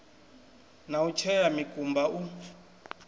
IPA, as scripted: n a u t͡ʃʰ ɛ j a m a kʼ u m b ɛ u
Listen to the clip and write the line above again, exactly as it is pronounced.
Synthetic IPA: n a u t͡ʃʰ ɛ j a m i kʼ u m b a u

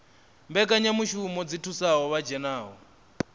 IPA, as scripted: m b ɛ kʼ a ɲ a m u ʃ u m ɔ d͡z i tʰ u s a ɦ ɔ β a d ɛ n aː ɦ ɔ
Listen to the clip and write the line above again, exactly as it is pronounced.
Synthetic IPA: m b ɛ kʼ a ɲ a m u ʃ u m ɔ d͡z i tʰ u s a ɦ ɔ β a d͡ʒ ɛ n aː ɦ ɔ

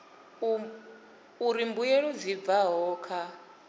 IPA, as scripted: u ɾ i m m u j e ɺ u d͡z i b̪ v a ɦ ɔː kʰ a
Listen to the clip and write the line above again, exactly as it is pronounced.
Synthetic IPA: u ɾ i m b u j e ɺ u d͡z i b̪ v a ɦ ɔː kʰ a

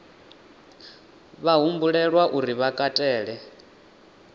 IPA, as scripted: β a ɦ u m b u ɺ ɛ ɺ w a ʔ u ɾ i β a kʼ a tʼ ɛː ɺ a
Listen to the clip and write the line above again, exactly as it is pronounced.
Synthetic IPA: β a ɦ u m b u ɺ ɛ ɺ w a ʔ u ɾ i β a kʼ a tʼ ɛː ɺ ɛ

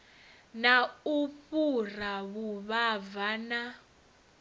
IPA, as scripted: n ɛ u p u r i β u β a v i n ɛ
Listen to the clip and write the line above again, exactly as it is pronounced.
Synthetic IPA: n a u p u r a β u β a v a n a

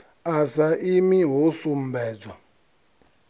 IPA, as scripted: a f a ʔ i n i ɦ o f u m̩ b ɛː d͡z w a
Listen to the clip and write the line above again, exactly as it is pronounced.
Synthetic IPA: a s a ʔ i m i ɦ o s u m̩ b ɛː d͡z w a

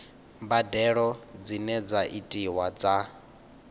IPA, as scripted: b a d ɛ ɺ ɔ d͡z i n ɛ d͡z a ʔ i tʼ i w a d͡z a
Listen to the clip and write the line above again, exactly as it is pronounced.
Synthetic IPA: b a d ɛ ɺ ɔ d͡z i n ɛ d͡z a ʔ i tʼ i w a d͡z a

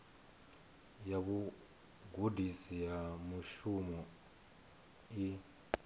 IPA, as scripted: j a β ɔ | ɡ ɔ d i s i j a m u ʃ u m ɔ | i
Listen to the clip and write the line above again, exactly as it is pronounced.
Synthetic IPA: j a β u | ɡ u d i s i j a m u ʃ u m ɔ | i

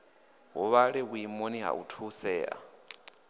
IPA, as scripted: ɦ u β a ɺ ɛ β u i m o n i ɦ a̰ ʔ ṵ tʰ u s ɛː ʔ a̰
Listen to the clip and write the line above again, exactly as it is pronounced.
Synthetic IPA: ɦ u β a ɺ ɛ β u i m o n i ɦ a̰ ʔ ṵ tʰ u s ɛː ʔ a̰

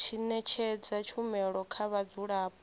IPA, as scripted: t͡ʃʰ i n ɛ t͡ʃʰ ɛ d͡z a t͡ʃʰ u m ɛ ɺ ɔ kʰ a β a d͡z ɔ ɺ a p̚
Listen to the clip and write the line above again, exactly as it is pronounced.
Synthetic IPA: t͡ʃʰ i n ɛ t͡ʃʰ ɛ d͡z a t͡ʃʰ u m ɛ ɺ ɔ kʰ a β a d͡z u ɺ a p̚

